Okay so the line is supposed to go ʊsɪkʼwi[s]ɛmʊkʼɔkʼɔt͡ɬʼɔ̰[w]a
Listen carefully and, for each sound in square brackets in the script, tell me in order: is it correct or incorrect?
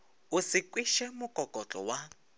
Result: incorrect: ʃ, correct

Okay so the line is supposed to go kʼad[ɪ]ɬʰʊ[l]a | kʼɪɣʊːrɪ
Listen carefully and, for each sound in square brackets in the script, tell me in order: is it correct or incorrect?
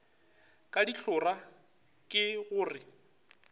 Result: incorrect: i, incorrect: r

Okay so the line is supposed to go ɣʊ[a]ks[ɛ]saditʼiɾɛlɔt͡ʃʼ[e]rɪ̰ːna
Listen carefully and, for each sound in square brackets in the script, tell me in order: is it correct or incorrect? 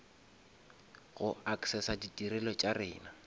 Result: correct, correct, incorrect: a

